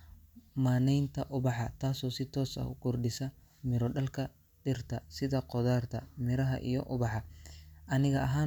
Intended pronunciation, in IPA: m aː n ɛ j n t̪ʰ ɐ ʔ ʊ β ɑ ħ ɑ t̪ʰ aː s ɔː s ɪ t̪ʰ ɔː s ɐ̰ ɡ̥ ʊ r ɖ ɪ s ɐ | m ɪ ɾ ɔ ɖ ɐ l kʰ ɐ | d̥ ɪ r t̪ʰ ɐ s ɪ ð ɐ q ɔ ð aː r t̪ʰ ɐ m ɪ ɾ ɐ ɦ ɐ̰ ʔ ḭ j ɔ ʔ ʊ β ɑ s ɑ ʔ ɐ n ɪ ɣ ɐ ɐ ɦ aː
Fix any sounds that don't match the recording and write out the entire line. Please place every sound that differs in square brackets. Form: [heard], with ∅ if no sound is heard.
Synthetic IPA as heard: m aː n ɛ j n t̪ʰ ɐ ʔ ʊ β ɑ ħ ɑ t̪ʰ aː s ɔː s ɪ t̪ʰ ɔː s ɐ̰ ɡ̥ ʊ r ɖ ɪ s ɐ | m ɪ ɾ ɔ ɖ ɐ l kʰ ɐ | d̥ ɪ r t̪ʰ ɐ s ɪ ð ɐ q ɔ ð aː r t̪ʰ ɐ m ɪ ɾ ɐ ɦ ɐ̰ ʔ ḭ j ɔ ʔ ʊ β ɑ [ħ] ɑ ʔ ɐ n ɪ ɣ ɐ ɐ ɦ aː